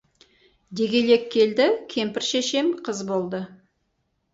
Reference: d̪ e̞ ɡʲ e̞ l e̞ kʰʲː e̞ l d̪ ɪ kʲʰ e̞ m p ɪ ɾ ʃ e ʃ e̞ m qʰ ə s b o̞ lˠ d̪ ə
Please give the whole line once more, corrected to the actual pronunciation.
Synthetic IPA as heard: d̪ e̞ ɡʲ e̞ l e̞ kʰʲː e̞ l d̪ ɪ kʲʰ e̞ m p ɪ ɾ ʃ e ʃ e̞ m qʰ ə z b o̞ lˠ d̪ ə